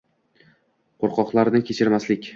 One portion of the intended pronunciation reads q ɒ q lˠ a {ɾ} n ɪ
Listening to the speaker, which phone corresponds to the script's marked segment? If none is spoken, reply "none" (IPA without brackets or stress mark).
ɾ